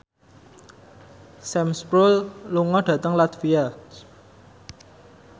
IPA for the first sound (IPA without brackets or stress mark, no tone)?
s